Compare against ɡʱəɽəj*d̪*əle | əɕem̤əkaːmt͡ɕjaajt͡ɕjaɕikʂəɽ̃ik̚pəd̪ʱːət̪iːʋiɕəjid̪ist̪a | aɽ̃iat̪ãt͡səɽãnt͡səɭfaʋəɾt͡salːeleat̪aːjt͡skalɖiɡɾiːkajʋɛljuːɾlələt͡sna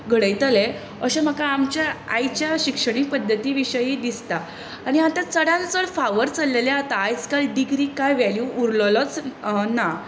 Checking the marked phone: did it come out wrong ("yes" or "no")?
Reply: yes